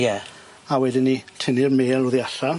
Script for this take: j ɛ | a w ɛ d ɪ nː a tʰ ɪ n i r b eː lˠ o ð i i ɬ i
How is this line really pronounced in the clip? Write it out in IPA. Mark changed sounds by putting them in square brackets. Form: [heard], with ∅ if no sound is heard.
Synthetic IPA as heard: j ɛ | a w ɛ d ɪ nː [i] tʰ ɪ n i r [m] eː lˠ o ð i [a] ɬ [a]